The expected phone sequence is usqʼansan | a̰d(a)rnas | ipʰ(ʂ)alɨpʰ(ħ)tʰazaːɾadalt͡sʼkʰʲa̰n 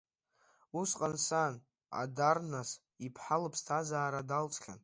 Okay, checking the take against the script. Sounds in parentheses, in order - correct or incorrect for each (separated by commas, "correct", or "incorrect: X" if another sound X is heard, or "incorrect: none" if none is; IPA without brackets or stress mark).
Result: correct, incorrect: ħ, incorrect: s